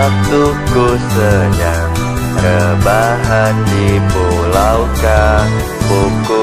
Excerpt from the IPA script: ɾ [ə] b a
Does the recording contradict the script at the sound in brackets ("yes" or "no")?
no